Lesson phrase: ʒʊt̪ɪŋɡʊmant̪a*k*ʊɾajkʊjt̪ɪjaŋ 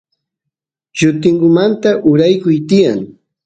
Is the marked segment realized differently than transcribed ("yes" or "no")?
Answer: yes